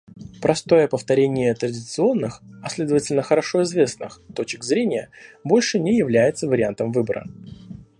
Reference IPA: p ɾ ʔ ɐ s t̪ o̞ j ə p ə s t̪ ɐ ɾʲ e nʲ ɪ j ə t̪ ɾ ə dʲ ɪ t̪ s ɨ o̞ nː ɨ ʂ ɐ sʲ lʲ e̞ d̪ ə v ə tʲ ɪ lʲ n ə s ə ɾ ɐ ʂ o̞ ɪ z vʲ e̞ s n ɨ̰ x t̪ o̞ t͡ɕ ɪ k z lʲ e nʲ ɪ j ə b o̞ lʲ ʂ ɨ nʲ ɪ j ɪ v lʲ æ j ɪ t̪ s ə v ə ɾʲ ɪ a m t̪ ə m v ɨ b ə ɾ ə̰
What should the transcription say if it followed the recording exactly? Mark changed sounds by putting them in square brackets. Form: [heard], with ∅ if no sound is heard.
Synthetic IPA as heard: p ɾ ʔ ɐ s t̪ o̞ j ə p ə [f] t̪ ɐ ɾʲ e nʲ ɪ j ə t̪ ɾ ə dʲ ɪ t̪ s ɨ o̞ nː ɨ [x] ɐ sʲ lʲ e̞ d̪ ə v ə tʲ ɪ lʲ n ə [x] ə ɾ ɐ ʂ o̞ ɪ z vʲ e̞ s n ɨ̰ x t̪ o̞ t͡ɕ ɪ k z [ɾʲ] e nʲ ɪ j ə b o̞ lʲ ʂ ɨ nʲ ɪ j ɪ v lʲ æ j ɪ t̪ s ə v ə ɾʲ ɪ a [n] t̪ ə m v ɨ b ə ɾ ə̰

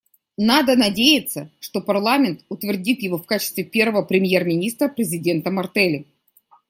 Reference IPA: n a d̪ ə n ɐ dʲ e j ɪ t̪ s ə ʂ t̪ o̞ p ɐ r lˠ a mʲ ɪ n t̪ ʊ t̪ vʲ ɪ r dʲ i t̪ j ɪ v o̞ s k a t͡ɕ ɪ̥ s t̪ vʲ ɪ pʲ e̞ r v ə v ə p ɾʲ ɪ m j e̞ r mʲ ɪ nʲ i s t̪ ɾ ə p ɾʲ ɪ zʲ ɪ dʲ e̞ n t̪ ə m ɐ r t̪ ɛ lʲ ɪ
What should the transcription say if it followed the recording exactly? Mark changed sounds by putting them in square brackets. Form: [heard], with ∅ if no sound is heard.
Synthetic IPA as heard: n a d̪ ə n ɐ dʲ e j ɪ t̪ s ə ʂ t̪ o̞ p ɐ r lˠ a mʲ ɪ n t̪ ʊ t̪ vʲ ɪ r dʲ i t̪ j ɪ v o̞ [f] k a t͡ɕ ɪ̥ s t̪ vʲ ɪ pʲ e̞ r v ə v ə p ɾʲ ɪ m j e̞ r mʲ ɪ nʲ i s t̪ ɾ ə p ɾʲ ɪ zʲ ɪ dʲ e̞ n t̪ ə m ɐ r t̪ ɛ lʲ ɪ

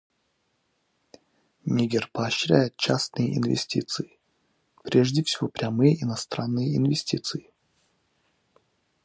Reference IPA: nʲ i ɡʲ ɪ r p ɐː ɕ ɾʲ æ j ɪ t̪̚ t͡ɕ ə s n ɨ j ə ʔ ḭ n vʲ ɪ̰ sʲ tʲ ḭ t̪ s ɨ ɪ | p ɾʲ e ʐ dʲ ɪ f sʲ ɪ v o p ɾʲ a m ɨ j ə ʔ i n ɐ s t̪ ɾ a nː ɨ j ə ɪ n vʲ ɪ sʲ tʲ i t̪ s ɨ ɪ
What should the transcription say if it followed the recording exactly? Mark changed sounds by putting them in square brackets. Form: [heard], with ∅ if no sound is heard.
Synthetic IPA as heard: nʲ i ɡʲ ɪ r p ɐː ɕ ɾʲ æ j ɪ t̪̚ t͡ɕ [a] s n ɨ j ə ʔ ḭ n vʲ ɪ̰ sʲ tʲ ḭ t̪ s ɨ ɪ | p ɾʲ e ʐ dʲ ɪ f sʲ ɪ v o p ɾʲ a m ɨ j ə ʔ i n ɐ s t̪ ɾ a nː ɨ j ə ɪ n vʲ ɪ sʲ tʲ i t̪ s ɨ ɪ

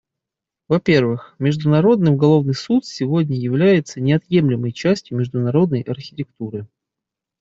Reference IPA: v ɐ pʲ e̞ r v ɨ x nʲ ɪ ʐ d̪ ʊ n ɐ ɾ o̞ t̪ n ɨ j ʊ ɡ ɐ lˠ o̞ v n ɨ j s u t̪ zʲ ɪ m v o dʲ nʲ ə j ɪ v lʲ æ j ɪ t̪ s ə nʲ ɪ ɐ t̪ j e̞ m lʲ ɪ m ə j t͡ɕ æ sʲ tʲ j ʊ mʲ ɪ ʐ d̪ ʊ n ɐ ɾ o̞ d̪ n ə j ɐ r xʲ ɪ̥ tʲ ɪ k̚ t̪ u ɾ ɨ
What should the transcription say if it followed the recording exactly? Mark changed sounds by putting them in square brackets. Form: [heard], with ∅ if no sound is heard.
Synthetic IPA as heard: v ɐ pʲ e̞ r v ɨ x [mʲ] ɪ ʐ d̪ ʊ n ɐ ɾ o̞ [d̪] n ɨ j ʊ ɡ ɐ lˠ o̞ v n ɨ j s u t̪ [sʲ] ɪ [∅] v o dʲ nʲ ə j ɪ v lʲ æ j ɪ t̪ s ə nʲ ɪ ɐ t̪ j e̞ m lʲ ɪ m ə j t͡ɕ æ sʲ tʲ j ʊ mʲ ɪ ʐ d̪ ʊ n ɐ ɾ o̞ d̪ n ə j ɐ r xʲ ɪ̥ tʲ ɪ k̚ t̪ u ɾ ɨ

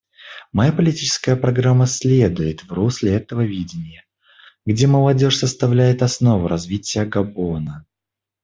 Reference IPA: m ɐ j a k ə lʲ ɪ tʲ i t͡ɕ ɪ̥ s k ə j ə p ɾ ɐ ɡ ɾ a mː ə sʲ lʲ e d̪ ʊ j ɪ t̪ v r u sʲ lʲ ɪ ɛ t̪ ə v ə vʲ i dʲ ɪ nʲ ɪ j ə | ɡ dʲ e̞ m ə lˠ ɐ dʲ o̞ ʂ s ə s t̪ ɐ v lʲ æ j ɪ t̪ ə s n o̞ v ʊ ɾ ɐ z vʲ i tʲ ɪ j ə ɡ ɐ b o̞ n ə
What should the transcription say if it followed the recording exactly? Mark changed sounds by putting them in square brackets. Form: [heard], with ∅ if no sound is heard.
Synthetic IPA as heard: m ɐ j a [p] ə lʲ ɪ tʲ i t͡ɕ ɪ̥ s k ə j ə p ɾ ɐ ɡ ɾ a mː ə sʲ lʲ e d̪ ʊ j ɪ t̪ v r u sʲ lʲ ɪ ɛ t̪ ə v ə vʲ i dʲ ɪ nʲ ɪ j ə | ɡ dʲ e̞ m ə lˠ ɐ dʲ o̞ ʂ s ə s t̪ ɐ v lʲ æ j ɪ t̪ [ɐ] s n o̞ v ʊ ɾ ɐ z vʲ i tʲ ɪ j ə ɡ ɐ b o̞ n ə

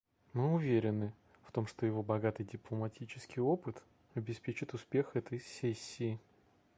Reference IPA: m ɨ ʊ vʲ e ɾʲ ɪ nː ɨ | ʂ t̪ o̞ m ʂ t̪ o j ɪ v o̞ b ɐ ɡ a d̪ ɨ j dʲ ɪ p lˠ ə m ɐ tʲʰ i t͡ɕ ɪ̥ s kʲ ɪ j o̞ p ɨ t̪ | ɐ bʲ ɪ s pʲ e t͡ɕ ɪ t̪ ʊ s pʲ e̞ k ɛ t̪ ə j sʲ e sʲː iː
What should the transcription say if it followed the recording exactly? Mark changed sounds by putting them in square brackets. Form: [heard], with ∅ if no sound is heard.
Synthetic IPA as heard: m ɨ ʊ vʲ e ɾʲ ɪ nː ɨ | [f] t̪ o̞ m ʂ t̪ o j ɪ v o̞ b ɐ ɡ a [t̪] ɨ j dʲ ɪ p lˠ ə m ɐ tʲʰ i t͡ɕ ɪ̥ s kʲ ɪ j o̞ p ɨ t̪ | ɐ bʲ ɪ s pʲ e t͡ɕ ɪ t̪ ʊ s pʲ e̞ [x] ɛ t̪ ə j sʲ e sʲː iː

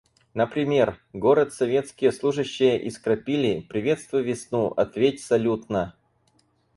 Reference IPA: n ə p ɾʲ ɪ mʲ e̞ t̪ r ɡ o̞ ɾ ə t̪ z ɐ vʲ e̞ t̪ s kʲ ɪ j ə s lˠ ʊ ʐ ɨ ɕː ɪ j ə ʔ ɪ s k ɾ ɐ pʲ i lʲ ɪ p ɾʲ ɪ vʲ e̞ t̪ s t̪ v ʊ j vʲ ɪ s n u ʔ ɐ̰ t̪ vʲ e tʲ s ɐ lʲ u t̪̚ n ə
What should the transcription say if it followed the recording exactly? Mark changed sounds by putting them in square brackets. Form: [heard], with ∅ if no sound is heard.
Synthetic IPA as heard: n ə p ɾʲ ɪ mʲ e̞ [∅] r ɡ o̞ ɾ ə t̪ [s] ɐ vʲ e̞ t̪ s kʲ ɪ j ə s lˠ [u] ʐ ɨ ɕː ɪ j ə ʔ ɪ s k ɾ ɐ pʲ i lʲ ɪ p ɾʲ ɪ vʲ e̞ t̪ s t̪ v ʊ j vʲ ɪ s n u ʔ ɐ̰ t̪ vʲ e tʲ s ɐ lʲ u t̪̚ n ə

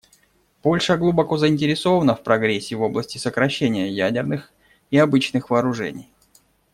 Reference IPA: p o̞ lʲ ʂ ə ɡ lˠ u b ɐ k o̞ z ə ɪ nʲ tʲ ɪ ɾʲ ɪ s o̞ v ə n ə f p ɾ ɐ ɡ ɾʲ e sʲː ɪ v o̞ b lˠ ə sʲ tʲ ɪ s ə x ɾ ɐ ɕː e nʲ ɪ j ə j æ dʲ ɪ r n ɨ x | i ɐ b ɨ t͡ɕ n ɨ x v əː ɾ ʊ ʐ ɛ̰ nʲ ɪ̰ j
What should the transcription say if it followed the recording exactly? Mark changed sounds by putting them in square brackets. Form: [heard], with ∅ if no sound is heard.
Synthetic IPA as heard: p o̞ lʲ ʂ ə ɡ lˠ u b ɐ k o̞ z ə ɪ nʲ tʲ ɪ ɾʲ ɪ s o̞ v ə n ə f p ɾ ɐ ɡ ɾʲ e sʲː ɪ v o̞ b lˠ ə sʲ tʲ ɪ s ə [k] ɾ ɐ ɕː e nʲ ɪ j ə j æ dʲ ɪ r n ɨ x | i ɐ b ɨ t͡ɕ n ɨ x v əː ɾ ʊ ʐ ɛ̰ nʲ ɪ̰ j

